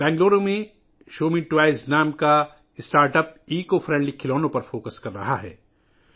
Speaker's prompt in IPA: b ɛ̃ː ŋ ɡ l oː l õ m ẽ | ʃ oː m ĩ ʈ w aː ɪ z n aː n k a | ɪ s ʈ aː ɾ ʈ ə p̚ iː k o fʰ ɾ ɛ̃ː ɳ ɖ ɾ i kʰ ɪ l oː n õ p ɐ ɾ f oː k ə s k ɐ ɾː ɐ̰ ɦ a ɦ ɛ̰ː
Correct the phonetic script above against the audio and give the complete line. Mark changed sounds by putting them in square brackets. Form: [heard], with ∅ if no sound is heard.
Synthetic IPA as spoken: b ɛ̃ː ŋ ɡ l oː [ɾ] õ m ẽ | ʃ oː m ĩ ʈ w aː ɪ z n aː [m] k a | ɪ s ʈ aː ɾ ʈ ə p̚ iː k o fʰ ɾ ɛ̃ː ɳ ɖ [l] i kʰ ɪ l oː n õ p ɐ ɾ f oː k ə s k ɐ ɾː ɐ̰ ɦ a ɦ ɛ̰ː